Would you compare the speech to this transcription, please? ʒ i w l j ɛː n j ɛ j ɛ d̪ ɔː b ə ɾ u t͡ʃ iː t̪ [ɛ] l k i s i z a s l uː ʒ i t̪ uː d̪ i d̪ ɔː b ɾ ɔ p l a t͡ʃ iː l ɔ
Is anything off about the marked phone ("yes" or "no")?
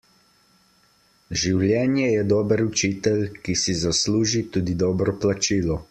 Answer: no